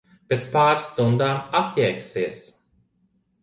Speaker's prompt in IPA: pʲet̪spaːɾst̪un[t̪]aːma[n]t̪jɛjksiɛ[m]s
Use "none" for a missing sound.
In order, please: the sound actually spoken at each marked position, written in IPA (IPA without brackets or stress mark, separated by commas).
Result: d̪, none, none